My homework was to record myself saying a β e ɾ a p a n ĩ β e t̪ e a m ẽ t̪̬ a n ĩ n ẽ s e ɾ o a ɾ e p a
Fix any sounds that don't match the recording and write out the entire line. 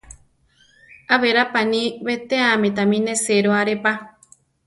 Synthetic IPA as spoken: a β e ɾ a p a n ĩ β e t̪ e a m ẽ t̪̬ a m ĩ n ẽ s e ɾ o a ɾ e p a